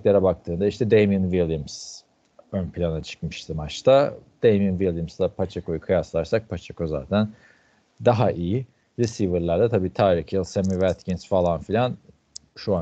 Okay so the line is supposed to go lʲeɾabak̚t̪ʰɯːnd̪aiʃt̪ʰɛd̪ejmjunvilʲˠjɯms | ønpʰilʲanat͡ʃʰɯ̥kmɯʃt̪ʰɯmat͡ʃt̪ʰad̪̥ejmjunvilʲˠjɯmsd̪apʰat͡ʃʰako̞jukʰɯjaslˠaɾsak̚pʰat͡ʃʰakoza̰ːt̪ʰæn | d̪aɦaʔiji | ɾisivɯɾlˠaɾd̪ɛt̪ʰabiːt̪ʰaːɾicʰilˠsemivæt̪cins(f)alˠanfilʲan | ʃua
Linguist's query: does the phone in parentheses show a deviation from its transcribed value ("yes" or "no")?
no